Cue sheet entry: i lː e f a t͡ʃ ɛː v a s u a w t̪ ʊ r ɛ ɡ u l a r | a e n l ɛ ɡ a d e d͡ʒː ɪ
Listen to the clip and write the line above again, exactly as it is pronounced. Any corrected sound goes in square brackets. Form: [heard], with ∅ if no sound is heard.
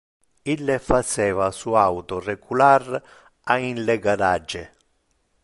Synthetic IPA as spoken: i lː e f a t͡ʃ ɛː v a s u a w t̪ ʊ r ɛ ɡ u l a r | a [i] n l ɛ ɡ a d [a] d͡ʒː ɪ